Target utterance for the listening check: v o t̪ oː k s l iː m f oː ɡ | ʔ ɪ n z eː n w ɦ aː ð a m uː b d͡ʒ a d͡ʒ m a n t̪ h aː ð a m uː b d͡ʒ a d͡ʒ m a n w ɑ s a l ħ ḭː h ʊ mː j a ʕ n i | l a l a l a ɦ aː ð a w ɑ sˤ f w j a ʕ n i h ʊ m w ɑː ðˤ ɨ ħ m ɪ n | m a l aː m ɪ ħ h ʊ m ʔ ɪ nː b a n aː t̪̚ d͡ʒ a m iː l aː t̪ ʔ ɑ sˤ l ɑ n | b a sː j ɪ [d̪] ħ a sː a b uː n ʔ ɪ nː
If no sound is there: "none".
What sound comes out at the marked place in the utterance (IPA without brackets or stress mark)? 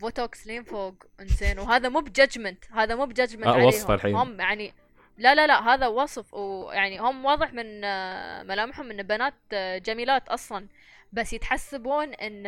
t̪